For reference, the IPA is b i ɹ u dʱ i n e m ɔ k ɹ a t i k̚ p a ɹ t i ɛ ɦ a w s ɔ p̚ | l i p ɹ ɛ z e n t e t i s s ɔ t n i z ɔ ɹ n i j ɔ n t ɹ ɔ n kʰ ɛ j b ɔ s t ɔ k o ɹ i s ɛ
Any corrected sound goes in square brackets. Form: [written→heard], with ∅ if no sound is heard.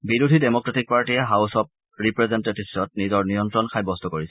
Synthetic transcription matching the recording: b i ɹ u dʱ i [n→d] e m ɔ k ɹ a t i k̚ p a ɹ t i ɛ ɦ a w s ɔ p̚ | [l→ɹ] i p ɹ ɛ z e n t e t i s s ɔ t n i z ɔ ɹ n i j ɔ n t ɹ ɔ n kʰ [ɛ→a] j b ɔ s t ɔ k o ɹ i s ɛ